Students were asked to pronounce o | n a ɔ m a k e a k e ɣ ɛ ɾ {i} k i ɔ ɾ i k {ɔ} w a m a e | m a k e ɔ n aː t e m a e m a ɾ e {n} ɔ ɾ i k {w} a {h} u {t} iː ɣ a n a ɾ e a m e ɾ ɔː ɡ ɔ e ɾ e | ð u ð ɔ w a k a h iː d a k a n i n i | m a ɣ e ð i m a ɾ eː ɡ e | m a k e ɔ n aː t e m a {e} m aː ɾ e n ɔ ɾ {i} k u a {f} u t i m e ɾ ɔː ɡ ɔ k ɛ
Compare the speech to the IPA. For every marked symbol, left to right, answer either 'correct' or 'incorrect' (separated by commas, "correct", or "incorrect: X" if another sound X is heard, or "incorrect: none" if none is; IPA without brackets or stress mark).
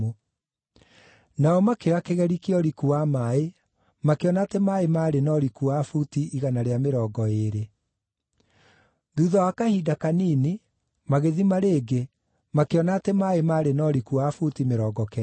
correct, incorrect: u, correct, incorrect: u, incorrect: f, correct, correct, correct, correct